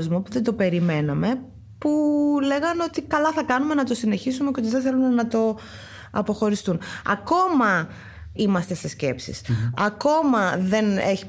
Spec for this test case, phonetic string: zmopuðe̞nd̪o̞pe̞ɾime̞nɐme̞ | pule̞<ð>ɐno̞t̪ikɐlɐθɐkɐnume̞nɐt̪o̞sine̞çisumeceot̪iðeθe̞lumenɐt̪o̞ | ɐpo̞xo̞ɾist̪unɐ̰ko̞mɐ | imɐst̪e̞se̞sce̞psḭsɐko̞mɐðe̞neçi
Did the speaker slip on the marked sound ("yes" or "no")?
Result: yes